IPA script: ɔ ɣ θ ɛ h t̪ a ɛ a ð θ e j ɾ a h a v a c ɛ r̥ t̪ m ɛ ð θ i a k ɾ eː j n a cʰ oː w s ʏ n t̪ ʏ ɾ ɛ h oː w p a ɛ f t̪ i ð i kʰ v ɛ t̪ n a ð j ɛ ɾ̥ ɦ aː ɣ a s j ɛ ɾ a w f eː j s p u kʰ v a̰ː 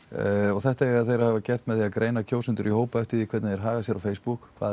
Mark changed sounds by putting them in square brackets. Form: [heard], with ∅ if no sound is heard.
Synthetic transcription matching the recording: ɔ ɣ θ ɛ h t̪ a ɛ a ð θ e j ɾ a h a v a c ɛ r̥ t̪ m ɛ ð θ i a k ɾ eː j n a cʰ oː w s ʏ n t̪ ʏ ɾ [i] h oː w p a ɛ f t̪ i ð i kʰ v ɛ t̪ n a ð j ɛ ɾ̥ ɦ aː ɣ a s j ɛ ɾ a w f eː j s p u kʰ v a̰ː